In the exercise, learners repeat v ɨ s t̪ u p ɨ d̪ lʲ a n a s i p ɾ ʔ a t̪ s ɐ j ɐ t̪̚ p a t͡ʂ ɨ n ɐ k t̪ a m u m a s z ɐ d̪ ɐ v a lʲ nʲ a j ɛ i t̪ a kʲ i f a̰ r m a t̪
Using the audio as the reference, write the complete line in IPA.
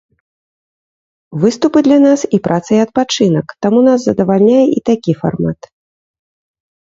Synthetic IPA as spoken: v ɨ s t̪ u p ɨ d̪ lʲ a n a s i p ɾ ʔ a t̪ s ɐ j ɐ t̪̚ p a t͡ʂ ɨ n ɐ k t̪ a m u n a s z ɐ d̪ ɐ v a lʲ nʲ a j ɛ i t̪ a kʲ i f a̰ r m a t̪